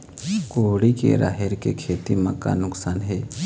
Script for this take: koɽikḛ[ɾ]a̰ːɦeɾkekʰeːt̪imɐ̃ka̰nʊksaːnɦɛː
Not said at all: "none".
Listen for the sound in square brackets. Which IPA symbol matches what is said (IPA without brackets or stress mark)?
ɾ